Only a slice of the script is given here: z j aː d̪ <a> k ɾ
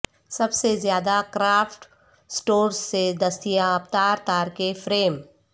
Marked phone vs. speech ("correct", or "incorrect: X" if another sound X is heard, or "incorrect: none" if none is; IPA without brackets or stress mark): correct